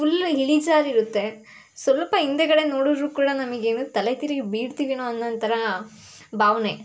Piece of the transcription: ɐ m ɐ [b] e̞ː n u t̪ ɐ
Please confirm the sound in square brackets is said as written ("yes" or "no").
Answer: no